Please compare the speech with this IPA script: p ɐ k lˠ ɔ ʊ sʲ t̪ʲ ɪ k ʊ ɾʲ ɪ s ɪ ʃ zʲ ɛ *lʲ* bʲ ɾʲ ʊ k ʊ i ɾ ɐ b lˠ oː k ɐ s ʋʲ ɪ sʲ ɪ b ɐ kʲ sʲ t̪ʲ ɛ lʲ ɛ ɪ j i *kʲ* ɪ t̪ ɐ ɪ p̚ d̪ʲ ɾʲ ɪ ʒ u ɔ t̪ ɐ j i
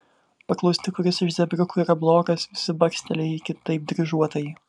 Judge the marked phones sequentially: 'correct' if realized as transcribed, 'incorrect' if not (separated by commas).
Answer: incorrect, correct